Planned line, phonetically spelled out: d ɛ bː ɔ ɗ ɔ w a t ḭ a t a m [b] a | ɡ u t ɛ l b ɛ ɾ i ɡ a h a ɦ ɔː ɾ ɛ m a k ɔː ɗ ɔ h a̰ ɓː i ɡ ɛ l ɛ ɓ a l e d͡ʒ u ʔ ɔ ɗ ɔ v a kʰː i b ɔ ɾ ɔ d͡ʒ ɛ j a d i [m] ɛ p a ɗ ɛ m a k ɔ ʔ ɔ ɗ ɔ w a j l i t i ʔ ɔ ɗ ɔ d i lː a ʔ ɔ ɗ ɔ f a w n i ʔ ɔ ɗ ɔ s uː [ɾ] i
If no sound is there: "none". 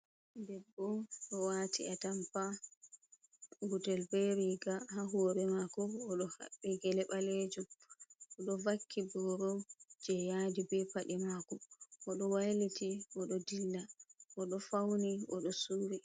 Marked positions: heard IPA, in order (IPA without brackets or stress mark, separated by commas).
p, b, ɾ